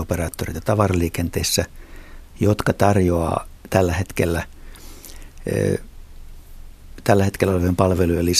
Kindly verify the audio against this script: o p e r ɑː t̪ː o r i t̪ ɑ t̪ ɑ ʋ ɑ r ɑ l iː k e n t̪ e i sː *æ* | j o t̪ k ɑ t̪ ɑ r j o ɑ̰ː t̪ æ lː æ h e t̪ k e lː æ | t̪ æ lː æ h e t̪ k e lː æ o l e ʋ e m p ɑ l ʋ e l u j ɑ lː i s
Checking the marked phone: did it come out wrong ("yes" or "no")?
no